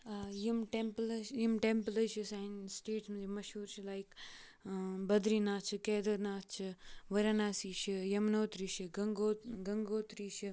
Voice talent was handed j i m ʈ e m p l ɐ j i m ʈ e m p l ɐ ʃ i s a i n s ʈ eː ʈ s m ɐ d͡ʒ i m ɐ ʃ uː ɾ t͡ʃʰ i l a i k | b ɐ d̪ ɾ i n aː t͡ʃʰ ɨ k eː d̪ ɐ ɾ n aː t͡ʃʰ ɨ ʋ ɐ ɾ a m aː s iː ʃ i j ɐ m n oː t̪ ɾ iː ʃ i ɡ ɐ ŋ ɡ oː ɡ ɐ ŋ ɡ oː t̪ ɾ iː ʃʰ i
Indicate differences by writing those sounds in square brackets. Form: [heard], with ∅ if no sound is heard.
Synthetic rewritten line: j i m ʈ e m p l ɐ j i m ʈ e m p l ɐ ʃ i s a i n s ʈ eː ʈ s m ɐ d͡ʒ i m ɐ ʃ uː ɾ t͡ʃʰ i l a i k | b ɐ d̪ ɾ i n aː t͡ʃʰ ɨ k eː d̪ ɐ ɾ n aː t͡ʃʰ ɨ ʋ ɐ ɾ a [n] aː s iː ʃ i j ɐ m n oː t̪ ɾ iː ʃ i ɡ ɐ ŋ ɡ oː ɡ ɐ ŋ ɡ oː t̪ ɾ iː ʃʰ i